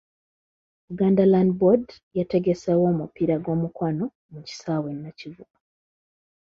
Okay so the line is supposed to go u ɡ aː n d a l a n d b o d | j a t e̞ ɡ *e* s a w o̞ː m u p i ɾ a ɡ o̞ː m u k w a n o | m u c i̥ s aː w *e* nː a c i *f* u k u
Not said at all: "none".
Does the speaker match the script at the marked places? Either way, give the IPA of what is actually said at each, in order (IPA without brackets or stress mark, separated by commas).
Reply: e, e, v